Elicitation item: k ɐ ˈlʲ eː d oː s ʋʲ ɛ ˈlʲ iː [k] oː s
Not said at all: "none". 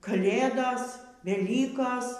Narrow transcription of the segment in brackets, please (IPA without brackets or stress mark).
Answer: k